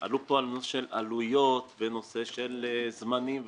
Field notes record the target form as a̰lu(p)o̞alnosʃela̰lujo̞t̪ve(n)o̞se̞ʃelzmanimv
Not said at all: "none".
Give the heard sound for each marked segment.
p, n

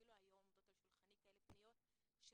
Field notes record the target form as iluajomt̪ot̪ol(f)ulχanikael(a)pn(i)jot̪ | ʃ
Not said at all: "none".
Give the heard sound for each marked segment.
ʃ, e, i

